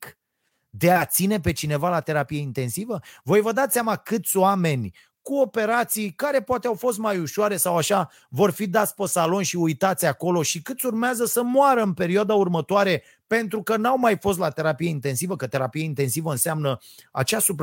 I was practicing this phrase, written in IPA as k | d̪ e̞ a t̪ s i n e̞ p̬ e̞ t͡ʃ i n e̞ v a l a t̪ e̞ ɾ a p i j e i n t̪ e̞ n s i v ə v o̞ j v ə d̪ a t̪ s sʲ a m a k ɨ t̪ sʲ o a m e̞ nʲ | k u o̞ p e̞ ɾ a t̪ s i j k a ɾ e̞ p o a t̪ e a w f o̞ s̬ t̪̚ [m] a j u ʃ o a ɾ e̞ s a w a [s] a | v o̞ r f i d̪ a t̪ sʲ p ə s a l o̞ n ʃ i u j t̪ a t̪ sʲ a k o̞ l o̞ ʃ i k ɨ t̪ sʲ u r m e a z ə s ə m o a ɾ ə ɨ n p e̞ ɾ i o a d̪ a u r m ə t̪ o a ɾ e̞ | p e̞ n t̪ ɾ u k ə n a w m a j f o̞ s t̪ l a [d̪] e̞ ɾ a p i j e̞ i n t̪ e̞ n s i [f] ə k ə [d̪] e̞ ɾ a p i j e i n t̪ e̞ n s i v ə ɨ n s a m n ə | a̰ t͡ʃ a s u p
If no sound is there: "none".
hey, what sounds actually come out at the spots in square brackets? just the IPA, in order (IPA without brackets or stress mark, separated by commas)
m, ʃ, t̪, v, t̪